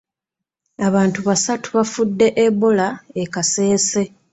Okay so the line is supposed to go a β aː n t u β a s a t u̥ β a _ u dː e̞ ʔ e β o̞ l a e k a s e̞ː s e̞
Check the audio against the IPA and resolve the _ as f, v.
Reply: f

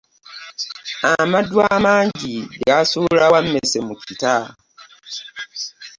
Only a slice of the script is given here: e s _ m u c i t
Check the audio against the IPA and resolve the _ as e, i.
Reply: e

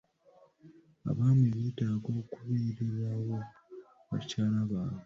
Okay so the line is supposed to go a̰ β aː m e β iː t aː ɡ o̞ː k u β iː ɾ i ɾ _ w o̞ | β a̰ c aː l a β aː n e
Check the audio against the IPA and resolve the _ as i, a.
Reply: a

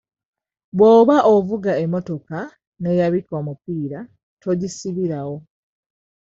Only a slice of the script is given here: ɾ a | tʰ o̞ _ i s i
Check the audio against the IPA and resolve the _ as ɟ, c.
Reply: ɟ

